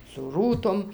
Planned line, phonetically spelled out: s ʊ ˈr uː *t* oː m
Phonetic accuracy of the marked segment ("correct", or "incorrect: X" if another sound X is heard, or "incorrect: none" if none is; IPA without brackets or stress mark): correct